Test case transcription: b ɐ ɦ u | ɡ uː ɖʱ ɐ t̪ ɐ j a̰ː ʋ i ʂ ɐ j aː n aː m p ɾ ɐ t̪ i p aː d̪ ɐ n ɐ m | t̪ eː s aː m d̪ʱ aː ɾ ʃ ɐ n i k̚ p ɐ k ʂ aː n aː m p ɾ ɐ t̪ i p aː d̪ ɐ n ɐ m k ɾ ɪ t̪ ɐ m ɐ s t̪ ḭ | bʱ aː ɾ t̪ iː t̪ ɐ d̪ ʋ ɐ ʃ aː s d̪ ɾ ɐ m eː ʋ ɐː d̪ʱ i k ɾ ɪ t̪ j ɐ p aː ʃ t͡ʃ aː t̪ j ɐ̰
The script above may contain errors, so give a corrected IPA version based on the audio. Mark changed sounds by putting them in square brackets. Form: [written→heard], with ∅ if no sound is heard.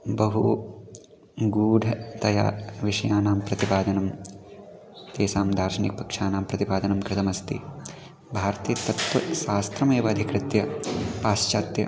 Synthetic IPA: b ɐ ɦ u | ɡ uː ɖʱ ɐ t̪ ɐ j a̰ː ʋ i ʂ ɐ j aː n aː m p ɾ ɐ t̪ i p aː d̪ ɐ n ɐ m | t̪ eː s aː m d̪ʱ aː ɾ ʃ ɐ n i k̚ p ɐ k ʂ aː n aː m p ɾ ɐ t̪ i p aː d̪ ɐ n ɐ m k ɾ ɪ t̪ ɐ m ɐ s t̪ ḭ | bʱ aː ɾ t̪ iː t̪ ɐ [d̪→t̪] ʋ ɐ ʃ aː s [d̪→t̪] ɾ ɐ m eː ʋ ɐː d̪ʱ i k ɾ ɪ t̪ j ɐ p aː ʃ t͡ʃ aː t̪ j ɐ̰